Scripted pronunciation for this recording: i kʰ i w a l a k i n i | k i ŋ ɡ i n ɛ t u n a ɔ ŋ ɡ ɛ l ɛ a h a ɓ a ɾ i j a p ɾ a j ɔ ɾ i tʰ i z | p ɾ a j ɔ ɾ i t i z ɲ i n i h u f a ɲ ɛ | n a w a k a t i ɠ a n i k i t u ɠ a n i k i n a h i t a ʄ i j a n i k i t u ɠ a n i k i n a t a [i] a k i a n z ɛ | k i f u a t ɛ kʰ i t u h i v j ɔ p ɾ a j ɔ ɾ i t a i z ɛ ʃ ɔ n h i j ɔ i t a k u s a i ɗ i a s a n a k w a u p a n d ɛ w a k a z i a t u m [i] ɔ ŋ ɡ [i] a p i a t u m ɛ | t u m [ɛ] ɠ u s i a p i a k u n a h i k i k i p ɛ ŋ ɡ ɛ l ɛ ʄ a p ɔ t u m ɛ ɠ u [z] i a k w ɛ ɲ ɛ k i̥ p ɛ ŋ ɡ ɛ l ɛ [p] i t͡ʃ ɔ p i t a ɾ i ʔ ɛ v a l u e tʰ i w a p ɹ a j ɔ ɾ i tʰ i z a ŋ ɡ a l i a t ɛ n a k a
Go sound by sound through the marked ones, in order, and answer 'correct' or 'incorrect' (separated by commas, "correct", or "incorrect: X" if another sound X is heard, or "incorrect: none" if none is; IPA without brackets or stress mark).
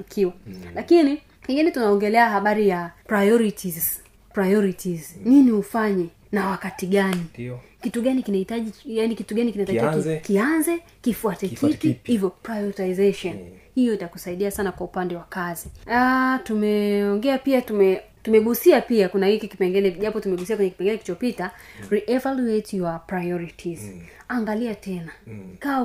correct, incorrect: ɛ, incorrect: ɛ, correct, incorrect: s, incorrect: k